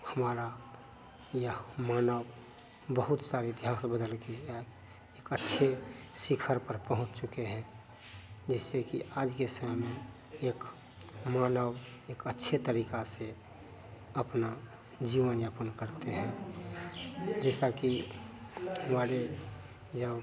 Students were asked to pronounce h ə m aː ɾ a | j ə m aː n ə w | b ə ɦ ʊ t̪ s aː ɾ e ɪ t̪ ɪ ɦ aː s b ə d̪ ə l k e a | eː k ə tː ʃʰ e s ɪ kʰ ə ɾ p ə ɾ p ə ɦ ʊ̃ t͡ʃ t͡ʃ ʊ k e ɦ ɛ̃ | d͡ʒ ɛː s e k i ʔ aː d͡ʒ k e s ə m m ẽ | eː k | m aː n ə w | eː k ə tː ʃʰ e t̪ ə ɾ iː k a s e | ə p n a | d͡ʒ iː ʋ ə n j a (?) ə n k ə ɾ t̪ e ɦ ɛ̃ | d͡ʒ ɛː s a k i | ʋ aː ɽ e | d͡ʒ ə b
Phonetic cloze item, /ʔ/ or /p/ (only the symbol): p